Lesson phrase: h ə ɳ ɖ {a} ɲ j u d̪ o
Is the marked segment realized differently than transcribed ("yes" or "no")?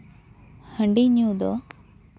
yes